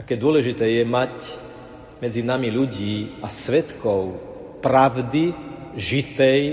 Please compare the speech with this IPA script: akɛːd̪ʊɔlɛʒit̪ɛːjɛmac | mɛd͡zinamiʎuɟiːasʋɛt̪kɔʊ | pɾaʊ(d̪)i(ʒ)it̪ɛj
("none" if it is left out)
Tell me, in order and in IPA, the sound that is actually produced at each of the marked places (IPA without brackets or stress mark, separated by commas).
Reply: d̪, ʒ